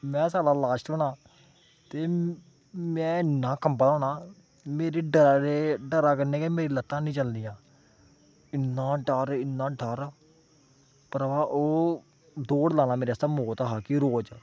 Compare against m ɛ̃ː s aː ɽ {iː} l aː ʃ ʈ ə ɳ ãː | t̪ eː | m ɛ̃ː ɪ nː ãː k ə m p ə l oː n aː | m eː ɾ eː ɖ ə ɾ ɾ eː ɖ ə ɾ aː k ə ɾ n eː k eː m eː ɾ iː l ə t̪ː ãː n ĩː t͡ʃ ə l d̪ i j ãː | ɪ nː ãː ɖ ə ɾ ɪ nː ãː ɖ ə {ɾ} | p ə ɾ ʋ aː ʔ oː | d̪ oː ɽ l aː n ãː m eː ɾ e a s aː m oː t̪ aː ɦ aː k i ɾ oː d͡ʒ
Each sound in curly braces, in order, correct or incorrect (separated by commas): incorrect, correct